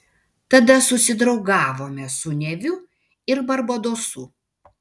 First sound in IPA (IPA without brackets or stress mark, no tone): t̪